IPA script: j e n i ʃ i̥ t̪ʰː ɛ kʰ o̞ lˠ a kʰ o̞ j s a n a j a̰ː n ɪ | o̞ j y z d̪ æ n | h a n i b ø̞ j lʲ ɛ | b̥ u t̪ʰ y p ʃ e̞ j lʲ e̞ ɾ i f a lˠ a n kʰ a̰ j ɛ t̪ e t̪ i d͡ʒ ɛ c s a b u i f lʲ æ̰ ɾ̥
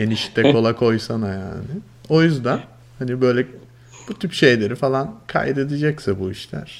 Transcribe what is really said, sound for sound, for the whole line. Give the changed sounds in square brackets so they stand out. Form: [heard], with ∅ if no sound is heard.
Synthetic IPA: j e n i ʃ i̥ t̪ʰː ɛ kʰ o̞ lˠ a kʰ o̞ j s a n a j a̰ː n ɪ | o̞ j y z d̪ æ n | h a n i b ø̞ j lʲ ɛ | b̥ u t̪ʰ y p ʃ e̞ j lʲ e̞ ɾ i f a lˠ a n kʰ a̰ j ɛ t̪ e [d̪] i d͡ʒ ɛ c s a b u i [ʃ] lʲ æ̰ ɾ̥